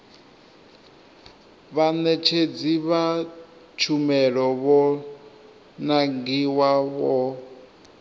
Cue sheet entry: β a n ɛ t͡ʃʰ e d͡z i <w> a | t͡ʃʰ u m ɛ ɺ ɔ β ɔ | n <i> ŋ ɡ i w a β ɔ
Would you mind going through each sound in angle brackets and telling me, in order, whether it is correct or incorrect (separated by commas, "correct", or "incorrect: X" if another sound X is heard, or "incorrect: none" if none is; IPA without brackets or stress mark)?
incorrect: β, incorrect: a